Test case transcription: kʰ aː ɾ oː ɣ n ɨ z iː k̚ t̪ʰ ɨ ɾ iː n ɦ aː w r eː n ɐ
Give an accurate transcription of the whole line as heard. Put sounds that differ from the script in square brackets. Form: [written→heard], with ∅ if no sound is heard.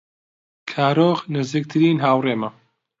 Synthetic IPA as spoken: kʰ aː ɾ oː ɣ n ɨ z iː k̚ t̪ʰ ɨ ɾ iː n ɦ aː w r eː [n→m] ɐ